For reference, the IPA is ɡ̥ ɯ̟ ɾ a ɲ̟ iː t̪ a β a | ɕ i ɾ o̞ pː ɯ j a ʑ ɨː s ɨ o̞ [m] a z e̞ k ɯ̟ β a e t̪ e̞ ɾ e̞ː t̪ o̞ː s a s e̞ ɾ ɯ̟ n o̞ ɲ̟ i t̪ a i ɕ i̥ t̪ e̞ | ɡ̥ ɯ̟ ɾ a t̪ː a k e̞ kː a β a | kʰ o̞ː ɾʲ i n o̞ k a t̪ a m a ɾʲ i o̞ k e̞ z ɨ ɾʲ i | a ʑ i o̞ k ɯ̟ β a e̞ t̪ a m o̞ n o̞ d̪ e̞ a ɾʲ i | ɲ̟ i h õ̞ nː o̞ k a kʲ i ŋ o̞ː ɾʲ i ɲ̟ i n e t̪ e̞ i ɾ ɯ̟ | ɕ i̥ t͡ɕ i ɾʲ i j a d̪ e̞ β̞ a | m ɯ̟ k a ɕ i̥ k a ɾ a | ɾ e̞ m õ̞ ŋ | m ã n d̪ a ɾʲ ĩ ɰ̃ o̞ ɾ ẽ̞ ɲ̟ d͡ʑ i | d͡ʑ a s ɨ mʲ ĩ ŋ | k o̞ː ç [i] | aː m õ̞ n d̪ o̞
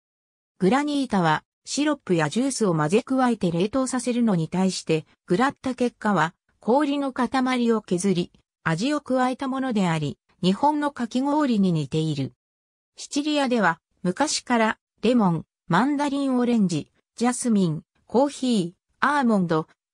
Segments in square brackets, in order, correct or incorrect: correct, incorrect: iː

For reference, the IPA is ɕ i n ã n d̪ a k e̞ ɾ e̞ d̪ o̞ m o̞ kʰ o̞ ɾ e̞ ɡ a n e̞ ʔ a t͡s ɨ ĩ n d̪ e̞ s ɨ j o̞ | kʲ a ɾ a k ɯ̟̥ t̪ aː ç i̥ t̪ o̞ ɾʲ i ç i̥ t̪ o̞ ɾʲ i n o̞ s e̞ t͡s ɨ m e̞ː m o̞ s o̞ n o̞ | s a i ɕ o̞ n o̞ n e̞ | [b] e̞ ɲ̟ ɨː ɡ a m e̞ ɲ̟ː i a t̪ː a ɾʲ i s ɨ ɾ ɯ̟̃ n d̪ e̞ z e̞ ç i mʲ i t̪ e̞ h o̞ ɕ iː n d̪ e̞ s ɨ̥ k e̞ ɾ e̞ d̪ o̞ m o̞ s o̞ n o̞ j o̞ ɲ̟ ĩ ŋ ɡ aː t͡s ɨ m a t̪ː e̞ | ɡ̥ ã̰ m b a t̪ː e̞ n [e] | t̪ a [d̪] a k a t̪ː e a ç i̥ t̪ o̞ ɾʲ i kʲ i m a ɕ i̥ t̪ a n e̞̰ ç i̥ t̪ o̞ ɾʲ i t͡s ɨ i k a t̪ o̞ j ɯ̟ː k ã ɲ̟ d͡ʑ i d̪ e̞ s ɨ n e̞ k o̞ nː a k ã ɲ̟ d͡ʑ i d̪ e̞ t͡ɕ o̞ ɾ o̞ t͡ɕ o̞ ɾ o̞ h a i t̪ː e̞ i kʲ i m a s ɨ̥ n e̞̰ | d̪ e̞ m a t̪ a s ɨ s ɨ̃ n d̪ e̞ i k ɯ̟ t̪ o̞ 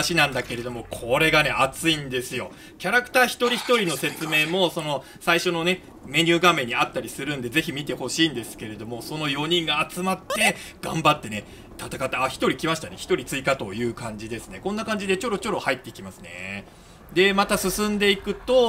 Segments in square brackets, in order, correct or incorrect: incorrect: m, correct, incorrect: t̪

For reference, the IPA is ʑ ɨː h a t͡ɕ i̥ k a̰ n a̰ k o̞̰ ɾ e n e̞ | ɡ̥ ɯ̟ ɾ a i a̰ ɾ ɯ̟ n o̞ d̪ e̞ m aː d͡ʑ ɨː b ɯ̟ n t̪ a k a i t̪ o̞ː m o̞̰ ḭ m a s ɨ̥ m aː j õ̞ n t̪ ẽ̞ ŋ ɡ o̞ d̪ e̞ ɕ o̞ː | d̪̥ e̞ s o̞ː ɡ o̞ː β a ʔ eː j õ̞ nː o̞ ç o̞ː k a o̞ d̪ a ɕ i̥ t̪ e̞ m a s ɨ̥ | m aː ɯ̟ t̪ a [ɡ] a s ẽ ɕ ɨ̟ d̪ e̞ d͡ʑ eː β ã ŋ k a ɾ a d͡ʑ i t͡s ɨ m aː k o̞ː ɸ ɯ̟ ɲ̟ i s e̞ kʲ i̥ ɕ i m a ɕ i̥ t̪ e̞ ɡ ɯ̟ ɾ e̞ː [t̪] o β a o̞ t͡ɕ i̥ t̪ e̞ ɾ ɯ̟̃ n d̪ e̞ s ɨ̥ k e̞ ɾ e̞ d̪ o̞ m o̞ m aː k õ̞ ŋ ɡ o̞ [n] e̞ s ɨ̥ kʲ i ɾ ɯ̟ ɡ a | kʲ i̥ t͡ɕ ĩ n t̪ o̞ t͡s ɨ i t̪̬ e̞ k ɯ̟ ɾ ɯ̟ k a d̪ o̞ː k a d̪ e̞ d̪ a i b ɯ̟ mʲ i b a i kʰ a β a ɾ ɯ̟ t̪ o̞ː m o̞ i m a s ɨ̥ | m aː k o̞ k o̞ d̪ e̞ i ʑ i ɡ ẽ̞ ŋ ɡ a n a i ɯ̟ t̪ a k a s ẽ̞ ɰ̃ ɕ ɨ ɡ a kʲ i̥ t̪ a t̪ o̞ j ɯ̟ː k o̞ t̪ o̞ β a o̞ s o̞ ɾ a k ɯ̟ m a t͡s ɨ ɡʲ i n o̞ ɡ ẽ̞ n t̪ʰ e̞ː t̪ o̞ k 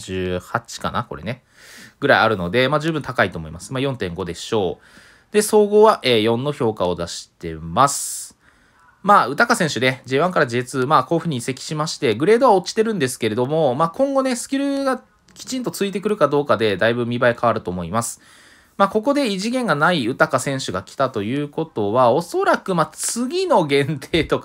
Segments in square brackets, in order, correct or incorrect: incorrect: k, incorrect: d̪, correct

